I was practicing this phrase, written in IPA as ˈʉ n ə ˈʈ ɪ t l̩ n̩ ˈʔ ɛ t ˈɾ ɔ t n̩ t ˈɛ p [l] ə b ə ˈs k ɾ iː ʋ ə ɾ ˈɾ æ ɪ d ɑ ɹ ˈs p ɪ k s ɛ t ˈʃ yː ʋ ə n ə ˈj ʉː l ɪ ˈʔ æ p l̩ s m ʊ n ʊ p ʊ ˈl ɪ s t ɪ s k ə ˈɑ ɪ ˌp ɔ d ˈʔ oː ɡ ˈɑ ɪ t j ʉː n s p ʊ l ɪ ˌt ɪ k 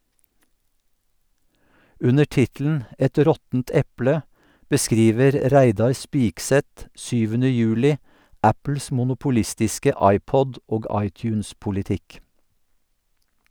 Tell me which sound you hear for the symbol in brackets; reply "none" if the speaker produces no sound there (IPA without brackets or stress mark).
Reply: l